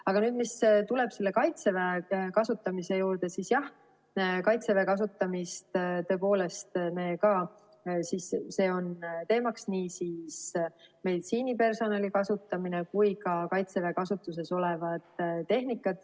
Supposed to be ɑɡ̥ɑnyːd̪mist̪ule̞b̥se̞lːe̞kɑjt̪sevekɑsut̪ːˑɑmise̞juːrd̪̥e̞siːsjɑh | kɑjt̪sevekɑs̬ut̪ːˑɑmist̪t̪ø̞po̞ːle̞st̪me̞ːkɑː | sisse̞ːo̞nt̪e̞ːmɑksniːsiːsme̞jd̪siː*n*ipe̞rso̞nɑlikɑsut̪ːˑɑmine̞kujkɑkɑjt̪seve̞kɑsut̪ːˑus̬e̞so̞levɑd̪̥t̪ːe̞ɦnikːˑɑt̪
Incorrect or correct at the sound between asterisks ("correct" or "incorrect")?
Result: correct